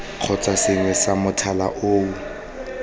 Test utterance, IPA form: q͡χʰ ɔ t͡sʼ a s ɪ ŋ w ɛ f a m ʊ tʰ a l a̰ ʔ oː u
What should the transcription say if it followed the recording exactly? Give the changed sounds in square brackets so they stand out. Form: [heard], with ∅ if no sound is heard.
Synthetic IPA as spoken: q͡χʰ ɔ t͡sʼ a s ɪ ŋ w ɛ [s] a m ʊ tʰ a l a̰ ʔ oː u